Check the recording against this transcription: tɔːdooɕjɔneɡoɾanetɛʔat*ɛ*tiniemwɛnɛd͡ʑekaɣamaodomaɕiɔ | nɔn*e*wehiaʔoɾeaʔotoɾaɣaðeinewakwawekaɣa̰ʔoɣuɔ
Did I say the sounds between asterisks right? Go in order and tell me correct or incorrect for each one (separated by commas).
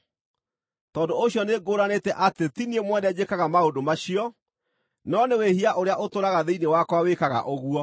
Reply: incorrect, correct